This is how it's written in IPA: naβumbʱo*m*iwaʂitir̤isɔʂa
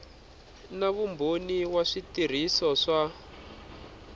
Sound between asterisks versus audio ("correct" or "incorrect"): incorrect